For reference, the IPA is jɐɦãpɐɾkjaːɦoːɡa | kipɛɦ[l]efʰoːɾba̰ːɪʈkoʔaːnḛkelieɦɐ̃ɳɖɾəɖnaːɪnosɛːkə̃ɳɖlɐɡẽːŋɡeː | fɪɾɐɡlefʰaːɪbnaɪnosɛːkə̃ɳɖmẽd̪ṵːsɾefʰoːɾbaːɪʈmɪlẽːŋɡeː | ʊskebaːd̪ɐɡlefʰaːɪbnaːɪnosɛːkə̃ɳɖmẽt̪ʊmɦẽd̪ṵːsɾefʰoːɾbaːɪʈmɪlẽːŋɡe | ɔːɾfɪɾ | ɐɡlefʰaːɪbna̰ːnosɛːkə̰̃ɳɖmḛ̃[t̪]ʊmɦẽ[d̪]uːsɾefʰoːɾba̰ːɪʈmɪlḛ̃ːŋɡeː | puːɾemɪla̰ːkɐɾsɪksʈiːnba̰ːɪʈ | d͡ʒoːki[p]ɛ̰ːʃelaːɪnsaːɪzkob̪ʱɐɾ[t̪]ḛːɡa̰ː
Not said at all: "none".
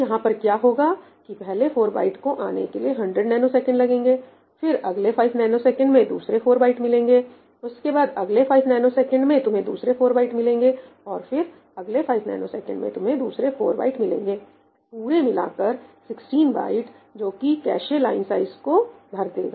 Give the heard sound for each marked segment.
l, t̪, d̪, k, d̪

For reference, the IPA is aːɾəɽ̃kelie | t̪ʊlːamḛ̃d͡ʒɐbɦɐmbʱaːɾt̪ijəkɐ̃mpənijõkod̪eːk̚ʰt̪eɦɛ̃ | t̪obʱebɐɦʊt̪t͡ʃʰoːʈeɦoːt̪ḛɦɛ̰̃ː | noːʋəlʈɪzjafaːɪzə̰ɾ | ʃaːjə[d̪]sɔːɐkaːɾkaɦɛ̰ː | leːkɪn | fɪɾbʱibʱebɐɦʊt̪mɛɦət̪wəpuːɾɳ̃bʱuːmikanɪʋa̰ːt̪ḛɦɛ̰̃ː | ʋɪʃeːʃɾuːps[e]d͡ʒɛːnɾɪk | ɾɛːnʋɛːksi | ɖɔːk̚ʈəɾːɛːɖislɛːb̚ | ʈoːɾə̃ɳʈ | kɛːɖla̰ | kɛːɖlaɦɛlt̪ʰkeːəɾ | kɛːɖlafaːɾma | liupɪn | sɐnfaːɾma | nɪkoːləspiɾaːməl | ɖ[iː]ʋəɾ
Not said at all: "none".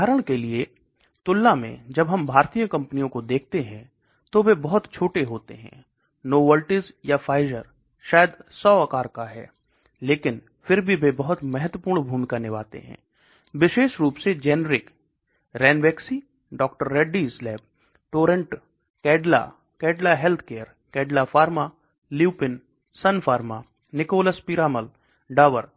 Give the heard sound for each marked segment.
d̪, e, aː

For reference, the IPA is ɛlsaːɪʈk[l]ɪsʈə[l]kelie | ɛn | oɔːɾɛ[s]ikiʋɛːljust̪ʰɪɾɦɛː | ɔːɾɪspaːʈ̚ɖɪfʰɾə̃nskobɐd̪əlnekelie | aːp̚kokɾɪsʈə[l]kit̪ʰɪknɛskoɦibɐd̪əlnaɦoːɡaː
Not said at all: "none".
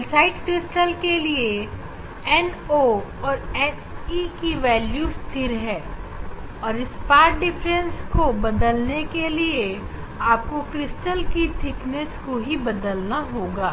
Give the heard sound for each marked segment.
ɾ, l, s, l

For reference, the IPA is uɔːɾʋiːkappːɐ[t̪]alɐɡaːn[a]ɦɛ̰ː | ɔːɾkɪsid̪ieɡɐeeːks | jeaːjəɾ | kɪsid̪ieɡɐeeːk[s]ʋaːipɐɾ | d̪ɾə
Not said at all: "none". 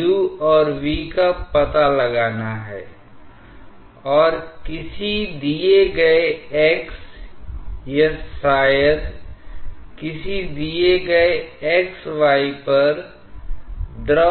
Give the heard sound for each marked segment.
t̪, a, s

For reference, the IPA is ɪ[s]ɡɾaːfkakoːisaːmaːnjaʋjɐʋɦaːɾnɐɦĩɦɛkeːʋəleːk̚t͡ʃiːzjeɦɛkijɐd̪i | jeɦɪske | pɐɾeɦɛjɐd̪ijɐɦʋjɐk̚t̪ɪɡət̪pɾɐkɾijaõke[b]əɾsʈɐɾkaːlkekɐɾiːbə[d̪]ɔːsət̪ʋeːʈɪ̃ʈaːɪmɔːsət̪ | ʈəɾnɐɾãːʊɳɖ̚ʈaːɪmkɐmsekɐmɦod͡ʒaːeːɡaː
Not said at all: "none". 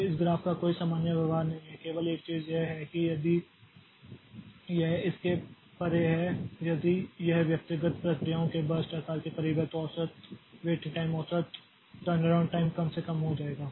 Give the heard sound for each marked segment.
s, b, t̪

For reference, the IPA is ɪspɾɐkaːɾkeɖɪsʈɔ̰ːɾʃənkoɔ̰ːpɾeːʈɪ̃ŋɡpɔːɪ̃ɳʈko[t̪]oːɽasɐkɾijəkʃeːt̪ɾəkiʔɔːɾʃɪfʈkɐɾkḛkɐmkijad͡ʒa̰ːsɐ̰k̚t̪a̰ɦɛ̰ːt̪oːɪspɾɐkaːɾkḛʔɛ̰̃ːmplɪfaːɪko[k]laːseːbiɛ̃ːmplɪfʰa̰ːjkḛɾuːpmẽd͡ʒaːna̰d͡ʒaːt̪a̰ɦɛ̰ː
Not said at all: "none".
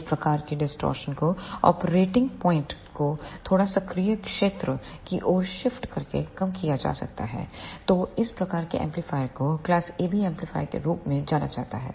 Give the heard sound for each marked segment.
t̪ʰ, k

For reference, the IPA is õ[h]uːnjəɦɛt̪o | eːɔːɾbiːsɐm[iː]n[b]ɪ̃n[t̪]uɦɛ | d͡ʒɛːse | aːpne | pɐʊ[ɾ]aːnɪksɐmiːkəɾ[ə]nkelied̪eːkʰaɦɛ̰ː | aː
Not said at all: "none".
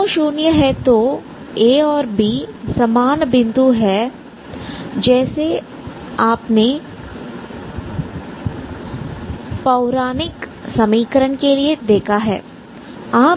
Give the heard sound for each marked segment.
ʃ, aː, b, d̪, ɾ, ə

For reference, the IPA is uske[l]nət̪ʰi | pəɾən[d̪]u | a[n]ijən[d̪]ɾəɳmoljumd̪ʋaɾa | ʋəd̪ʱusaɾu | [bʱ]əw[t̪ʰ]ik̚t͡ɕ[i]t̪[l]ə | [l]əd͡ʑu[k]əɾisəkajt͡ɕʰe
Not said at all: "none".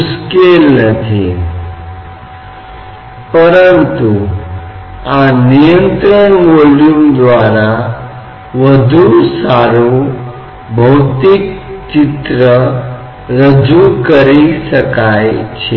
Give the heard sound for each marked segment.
l, t̪, n, t̪, bʱ, t̪, i, ɾ, ɾ, k

